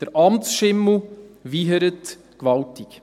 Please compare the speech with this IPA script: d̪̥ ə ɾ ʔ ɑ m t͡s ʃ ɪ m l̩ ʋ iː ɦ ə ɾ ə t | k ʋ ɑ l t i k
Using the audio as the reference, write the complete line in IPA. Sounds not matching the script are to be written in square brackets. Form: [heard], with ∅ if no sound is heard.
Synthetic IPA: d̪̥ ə ɾ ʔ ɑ m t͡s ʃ ɪ m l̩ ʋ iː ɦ ə ɾ ə t | k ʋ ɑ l t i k